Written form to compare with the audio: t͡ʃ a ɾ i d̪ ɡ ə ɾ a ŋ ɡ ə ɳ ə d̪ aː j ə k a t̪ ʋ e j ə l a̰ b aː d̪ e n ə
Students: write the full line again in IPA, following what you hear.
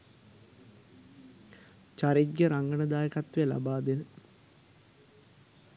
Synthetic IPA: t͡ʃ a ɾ i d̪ ɡ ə ɾ a ŋ ɡ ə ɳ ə d̪ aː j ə k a t̪ ʋ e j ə l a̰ b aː d̪ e n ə